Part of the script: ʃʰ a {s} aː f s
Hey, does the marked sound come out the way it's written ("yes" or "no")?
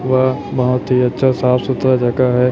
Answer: yes